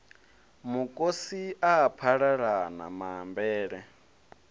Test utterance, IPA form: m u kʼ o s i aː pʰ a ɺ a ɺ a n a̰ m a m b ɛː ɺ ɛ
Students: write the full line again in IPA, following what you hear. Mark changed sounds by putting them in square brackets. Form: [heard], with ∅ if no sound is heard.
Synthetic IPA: m u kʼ o s i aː pʰ a ɺ a ɺ a n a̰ m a m b ɛː ɺ ɛ